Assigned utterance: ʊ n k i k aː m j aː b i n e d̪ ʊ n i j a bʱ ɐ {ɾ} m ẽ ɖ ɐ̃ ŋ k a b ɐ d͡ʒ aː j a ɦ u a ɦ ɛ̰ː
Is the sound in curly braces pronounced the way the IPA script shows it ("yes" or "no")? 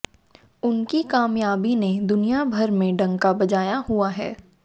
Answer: yes